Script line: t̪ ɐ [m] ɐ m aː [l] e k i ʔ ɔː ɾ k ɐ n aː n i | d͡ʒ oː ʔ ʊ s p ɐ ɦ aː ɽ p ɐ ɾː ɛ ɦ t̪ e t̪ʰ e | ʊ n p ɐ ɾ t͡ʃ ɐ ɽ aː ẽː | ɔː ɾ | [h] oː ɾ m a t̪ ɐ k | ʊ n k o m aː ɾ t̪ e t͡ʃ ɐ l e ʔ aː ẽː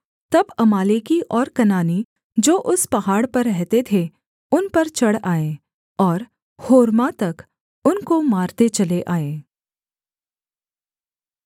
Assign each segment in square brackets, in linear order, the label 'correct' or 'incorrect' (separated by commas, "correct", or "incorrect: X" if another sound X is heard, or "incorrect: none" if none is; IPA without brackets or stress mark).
incorrect: b, correct, correct